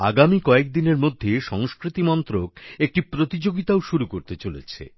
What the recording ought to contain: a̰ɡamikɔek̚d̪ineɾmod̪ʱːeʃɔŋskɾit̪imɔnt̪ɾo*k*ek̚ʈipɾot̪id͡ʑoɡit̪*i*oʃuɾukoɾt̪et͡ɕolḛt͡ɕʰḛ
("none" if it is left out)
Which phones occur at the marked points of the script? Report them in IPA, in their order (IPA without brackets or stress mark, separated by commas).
k, a